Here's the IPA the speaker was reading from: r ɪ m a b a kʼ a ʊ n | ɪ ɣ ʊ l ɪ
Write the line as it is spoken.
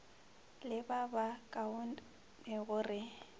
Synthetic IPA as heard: l ɪ b a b a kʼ a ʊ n | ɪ ɣ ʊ r ɪ